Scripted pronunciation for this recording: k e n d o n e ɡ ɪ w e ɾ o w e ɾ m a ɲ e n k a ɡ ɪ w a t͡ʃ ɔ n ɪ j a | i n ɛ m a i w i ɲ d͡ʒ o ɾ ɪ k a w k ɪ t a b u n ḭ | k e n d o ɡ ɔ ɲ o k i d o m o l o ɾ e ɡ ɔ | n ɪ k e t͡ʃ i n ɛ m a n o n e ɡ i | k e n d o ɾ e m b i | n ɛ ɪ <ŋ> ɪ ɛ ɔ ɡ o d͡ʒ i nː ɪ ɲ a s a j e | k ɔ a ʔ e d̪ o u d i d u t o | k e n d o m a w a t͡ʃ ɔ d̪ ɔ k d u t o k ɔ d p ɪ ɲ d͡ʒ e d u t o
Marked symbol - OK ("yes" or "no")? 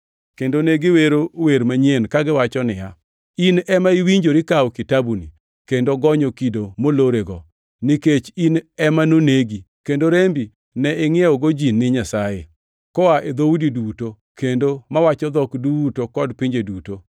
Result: yes